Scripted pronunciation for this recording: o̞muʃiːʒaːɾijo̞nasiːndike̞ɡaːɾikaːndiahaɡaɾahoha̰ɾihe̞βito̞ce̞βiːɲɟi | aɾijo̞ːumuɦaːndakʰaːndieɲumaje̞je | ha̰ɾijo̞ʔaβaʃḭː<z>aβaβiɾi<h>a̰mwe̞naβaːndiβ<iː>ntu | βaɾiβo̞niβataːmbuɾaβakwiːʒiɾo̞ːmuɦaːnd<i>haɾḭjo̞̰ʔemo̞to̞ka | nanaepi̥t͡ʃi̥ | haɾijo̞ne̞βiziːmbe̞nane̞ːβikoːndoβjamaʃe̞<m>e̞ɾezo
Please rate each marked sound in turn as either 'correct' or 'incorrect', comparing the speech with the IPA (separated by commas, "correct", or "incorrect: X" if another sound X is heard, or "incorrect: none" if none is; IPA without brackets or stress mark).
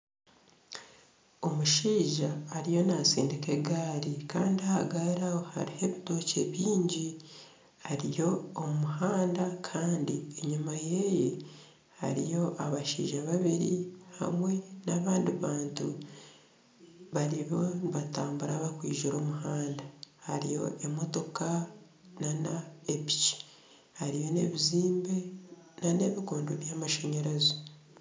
incorrect: ʒ, correct, incorrect: aː, incorrect: a, incorrect: ɲ